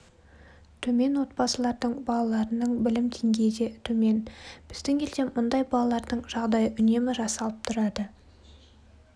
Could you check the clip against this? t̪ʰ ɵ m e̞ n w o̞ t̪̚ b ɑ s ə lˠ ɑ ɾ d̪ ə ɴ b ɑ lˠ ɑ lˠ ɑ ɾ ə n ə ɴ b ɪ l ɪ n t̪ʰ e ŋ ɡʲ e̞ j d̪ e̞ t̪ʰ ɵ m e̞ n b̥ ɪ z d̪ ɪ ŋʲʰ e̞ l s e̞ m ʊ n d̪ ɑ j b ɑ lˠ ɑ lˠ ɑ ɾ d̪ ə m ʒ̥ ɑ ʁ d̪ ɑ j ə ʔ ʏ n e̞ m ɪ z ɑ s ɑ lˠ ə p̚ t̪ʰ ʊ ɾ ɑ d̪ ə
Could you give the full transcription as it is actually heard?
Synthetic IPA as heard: t̪ʰ ɵ m e̞ n w o̞ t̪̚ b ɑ s ə lˠ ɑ ɾ d̪ ə ɴ b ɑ lˠ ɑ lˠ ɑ ɾ ə n ə ɴ b ɪ l ɪ m t̪ʰ e ŋ ɡʲ e̞ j d̪ e̞ t̪ʰ ɵ m e̞ n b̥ ɪ z d̪ ɪ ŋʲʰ e̞ l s e̞ m ʊ n d̪ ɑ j b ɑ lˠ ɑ lˠ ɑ ɾ d̪ ə ɴ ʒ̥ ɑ ʁ d̪ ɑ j ə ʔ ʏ n e̞ m ɪ ʒ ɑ s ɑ lˠ ə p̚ t̪ʰ ʊ ɾ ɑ d̪ ə

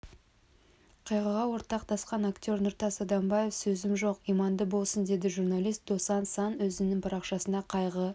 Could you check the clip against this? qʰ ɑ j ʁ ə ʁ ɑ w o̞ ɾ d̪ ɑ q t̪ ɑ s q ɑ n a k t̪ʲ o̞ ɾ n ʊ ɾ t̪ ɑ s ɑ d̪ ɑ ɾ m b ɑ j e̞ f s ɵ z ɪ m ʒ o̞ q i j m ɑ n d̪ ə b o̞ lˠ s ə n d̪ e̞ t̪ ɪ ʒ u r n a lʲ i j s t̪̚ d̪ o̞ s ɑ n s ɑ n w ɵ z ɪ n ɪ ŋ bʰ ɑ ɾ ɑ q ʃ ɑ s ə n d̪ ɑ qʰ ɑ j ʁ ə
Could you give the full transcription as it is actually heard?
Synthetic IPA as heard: qʰ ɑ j ʁ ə ʁ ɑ w o̞ ɾ t̪ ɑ q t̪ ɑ s q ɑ n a k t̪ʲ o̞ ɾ n ʊ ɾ t̪ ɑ s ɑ d̪ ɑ m b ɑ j e̞ f s ɵ z ɪ m ʒ o̞ q i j m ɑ n d̪ ə b o̞ lˠ s ə n d̪ e̞ d̪ ɪ ʒ u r n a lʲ i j s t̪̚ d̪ o̞ s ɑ n s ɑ n w ɵ z ɪ n ɪ ŋ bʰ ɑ ɾ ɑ q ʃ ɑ s ə n d̪ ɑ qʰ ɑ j ʁ ə

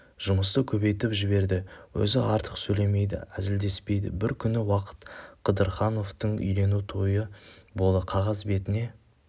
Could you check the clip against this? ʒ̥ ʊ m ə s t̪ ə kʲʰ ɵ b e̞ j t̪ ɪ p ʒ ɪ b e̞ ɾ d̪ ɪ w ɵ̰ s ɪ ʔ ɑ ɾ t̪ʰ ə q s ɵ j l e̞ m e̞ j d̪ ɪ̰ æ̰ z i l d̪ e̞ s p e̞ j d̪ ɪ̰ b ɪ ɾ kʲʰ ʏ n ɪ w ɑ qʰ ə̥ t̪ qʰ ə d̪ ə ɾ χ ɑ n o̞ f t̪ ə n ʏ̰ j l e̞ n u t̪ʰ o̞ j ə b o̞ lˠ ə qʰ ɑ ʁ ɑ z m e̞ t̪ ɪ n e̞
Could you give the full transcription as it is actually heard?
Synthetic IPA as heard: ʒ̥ ʊ m ə s t̪ ə kʲʰ ɵ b e̞ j t̪ ɪ p ʒ ɪ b e̞ ɾ d̪ ɪ w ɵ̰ z ɪ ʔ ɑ ɾ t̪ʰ ə q s ɵ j l e̞ m e̞ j d̪ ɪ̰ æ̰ z ɪ l d̪ e̞ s p e̞ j d̪ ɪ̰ b ɪ ɾ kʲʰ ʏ n ɪ w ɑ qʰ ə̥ t̪ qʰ ə d̪ ə ɾ χ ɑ n o̞ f t̪ ə ɴ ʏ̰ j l e̞ n u t̪ʰ o̞ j ə b o̞ lˠ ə qʰ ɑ ʁ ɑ z b e̞ t̪ ɪ n e̞

